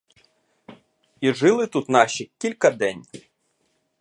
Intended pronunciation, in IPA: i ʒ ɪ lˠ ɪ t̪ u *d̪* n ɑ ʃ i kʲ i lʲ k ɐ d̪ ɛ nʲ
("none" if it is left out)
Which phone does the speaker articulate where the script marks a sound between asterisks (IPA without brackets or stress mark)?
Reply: t̪